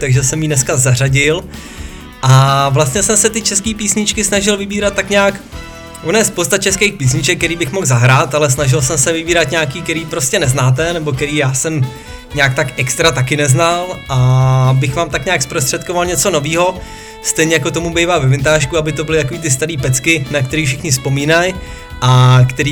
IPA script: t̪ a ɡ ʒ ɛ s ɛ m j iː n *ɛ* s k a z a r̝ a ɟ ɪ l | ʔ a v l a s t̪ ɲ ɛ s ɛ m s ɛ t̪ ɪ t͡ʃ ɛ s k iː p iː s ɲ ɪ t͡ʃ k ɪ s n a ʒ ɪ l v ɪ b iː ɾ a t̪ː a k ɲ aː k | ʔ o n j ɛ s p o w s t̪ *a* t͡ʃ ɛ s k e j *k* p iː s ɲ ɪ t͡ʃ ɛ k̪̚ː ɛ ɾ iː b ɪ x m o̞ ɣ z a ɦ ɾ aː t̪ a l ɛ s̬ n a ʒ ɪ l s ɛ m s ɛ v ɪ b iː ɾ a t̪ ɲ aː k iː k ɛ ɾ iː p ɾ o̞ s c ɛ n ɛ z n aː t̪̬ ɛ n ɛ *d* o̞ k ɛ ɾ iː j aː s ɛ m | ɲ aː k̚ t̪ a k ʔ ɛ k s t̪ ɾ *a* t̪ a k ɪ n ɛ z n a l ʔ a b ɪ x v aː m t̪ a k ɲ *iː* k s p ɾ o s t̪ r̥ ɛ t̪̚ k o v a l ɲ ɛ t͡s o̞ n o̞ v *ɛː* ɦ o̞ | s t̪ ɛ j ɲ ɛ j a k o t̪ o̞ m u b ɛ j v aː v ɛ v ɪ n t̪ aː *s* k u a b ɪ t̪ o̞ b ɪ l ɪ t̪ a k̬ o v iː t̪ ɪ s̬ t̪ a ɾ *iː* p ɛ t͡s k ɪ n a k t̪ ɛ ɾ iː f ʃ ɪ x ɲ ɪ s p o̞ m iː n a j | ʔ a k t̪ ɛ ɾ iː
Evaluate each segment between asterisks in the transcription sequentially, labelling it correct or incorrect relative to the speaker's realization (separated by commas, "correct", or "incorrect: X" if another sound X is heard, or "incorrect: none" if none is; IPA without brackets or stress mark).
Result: correct, correct, incorrect: x, incorrect: b, correct, incorrect: aː, incorrect: iː, incorrect: ʃ, correct